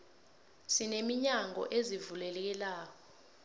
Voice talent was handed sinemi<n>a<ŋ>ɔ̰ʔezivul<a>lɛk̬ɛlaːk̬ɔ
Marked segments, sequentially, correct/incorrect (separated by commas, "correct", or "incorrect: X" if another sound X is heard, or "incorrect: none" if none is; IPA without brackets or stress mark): incorrect: ɲ, correct, incorrect: ɛ